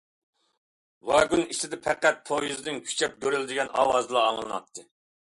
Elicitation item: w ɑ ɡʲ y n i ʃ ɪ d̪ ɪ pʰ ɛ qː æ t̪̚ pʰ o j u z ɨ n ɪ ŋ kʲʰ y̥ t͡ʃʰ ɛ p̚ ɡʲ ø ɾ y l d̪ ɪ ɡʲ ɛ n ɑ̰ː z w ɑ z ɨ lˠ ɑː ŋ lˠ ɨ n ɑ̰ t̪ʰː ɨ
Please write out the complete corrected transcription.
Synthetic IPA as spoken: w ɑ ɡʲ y n i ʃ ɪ d̪ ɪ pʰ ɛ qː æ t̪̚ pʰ o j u z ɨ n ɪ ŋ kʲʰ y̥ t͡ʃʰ ɛ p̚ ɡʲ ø ɾ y l d̪ ɪ ɡʲ ɛ n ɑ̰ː w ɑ z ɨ lˠ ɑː ŋ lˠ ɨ n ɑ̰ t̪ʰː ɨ